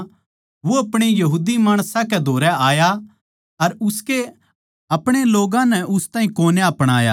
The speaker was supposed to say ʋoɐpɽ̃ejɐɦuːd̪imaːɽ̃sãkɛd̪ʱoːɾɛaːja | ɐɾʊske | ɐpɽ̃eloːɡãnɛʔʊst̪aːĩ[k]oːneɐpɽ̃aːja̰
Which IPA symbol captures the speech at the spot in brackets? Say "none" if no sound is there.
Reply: k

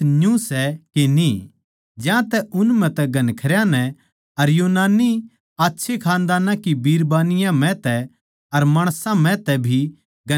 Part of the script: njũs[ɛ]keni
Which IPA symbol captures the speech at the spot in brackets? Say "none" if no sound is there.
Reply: ɛ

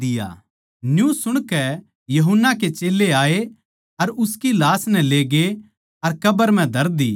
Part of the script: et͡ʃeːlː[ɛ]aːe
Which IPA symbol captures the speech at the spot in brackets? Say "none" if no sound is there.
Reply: e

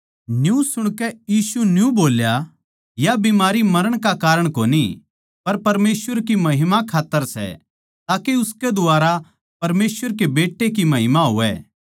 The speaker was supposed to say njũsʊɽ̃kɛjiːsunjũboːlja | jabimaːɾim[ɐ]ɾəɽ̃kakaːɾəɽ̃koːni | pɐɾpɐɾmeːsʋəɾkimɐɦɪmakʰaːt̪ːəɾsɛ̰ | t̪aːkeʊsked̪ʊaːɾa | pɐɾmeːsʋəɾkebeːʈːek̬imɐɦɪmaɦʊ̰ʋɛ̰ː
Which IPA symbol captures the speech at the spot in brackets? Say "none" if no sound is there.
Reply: ɐ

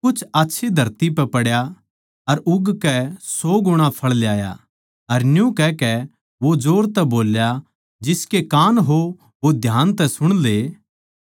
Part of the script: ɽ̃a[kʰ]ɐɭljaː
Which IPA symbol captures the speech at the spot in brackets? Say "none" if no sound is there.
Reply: pʰ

